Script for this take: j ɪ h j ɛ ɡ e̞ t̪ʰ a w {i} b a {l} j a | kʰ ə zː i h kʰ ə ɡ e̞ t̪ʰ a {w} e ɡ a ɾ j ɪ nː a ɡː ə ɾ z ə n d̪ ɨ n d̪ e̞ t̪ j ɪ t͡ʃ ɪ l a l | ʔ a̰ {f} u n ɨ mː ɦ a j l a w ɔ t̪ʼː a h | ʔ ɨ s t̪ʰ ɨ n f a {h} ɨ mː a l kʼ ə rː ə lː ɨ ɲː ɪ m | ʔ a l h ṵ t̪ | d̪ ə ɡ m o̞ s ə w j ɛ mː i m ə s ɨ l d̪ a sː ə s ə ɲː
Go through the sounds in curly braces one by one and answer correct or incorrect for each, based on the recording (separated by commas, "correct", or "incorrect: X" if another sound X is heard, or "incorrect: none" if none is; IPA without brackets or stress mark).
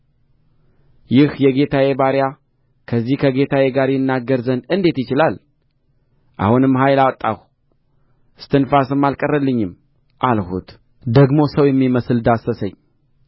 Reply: incorrect: e, incorrect: ɾ, correct, incorrect: h, incorrect: s